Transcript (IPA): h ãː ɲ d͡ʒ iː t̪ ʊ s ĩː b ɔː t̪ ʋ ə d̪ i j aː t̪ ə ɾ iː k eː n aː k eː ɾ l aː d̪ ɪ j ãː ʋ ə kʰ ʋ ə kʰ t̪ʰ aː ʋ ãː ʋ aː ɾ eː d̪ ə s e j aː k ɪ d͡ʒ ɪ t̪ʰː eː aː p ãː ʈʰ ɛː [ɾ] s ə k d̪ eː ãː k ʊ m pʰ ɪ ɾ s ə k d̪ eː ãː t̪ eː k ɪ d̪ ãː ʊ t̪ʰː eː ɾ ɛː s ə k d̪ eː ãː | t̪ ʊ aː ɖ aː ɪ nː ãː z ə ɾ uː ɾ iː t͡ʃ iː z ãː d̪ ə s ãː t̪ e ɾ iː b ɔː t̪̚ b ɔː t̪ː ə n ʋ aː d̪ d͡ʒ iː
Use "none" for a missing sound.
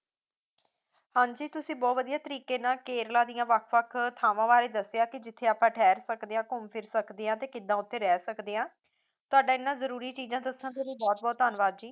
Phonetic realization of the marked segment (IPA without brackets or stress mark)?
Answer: ɾ